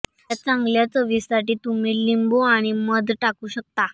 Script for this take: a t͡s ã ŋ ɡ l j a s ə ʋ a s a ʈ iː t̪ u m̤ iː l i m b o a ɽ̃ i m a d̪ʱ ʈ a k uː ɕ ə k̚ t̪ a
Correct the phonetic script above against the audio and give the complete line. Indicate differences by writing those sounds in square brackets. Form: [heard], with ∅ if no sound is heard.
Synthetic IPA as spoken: a t͡s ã ŋ ɡ l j a [t͡s] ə ʋ [i] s a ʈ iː t̪ u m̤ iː l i m b o a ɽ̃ i m [ə] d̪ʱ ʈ a k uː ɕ ə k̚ t̪ a